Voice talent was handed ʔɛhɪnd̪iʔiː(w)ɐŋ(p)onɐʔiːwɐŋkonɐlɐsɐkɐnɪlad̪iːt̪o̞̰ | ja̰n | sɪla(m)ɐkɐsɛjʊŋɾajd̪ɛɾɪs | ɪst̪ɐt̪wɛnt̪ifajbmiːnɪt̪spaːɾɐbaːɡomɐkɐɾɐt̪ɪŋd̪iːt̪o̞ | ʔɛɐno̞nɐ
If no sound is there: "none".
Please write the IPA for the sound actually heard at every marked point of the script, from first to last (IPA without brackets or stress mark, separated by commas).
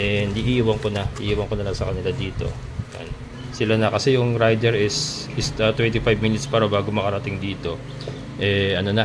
w, k, n